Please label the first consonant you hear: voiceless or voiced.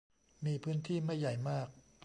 voiced